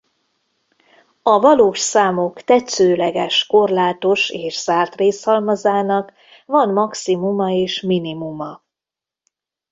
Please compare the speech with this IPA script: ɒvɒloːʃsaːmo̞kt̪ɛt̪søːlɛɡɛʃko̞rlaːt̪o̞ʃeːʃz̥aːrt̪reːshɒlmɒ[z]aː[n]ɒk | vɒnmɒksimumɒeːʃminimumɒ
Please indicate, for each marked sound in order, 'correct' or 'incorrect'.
correct, correct

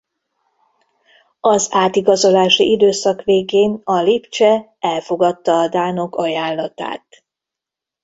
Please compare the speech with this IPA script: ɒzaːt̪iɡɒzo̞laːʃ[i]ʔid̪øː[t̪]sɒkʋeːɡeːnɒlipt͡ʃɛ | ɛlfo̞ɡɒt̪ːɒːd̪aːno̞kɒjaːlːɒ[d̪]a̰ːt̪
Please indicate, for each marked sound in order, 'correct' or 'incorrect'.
correct, incorrect: none, incorrect: t̪

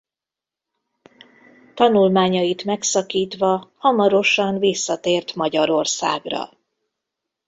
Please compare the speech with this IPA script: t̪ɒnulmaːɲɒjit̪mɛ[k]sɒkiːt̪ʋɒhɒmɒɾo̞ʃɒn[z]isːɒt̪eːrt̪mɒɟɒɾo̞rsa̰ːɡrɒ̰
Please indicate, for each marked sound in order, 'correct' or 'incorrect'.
correct, incorrect: v

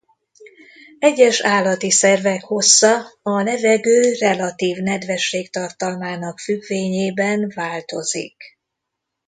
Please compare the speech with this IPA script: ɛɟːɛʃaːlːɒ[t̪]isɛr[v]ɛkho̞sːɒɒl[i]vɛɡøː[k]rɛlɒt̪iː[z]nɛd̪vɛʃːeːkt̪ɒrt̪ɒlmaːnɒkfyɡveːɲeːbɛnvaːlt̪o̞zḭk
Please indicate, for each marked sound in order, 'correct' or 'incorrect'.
correct, correct, incorrect: ɛ, incorrect: none, incorrect: v

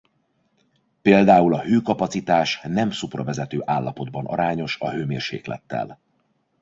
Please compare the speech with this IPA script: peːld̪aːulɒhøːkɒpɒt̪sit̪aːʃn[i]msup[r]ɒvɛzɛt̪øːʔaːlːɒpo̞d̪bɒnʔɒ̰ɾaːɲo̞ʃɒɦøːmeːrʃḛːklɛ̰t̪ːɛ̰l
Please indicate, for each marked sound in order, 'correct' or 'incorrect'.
incorrect: ɛ, correct

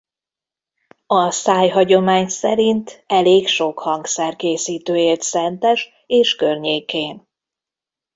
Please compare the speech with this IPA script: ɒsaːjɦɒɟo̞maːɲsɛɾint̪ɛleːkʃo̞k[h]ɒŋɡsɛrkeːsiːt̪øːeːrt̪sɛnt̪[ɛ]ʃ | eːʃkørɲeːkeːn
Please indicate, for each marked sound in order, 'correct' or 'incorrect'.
correct, correct

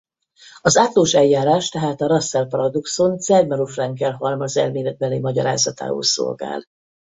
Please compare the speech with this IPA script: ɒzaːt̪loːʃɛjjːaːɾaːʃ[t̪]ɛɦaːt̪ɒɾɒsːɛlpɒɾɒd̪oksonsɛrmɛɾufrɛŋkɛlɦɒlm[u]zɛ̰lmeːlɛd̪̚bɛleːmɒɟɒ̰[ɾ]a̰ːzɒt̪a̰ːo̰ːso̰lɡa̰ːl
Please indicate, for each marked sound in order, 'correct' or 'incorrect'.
correct, incorrect: ɒ, correct

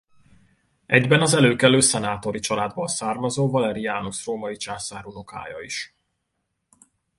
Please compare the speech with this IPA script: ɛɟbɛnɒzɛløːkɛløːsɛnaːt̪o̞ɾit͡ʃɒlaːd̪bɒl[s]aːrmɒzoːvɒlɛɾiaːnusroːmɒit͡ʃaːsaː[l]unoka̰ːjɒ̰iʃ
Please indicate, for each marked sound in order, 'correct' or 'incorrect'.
correct, incorrect: ɾ

